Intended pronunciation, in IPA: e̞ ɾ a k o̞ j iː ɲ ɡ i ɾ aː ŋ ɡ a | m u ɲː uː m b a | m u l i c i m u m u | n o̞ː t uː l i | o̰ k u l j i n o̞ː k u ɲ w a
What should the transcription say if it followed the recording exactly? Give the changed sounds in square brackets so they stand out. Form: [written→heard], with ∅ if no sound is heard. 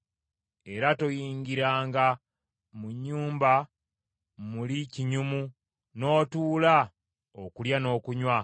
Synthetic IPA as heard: e̞ ɾ a [k→t] o̞ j iː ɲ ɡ i ɾ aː ŋ ɡ a | m u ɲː uː m b a | m u l i c i [m→ɲ] u m u | n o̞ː t uː l [i→a] | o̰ k u l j [i→a] n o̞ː k u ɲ w a